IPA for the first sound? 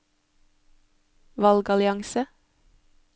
ʋ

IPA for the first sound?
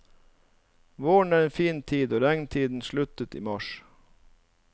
ʋ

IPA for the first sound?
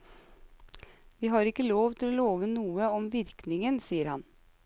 ʋ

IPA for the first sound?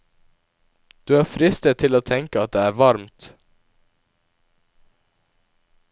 d̪̥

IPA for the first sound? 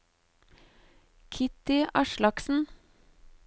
kʰ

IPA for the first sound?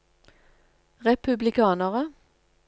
ʁ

